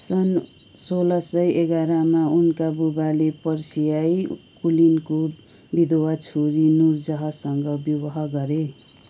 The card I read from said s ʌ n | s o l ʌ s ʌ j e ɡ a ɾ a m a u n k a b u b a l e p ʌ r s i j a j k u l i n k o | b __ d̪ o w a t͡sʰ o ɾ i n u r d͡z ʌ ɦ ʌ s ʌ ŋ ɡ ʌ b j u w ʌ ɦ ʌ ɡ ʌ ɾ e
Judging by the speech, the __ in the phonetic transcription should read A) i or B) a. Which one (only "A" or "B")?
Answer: A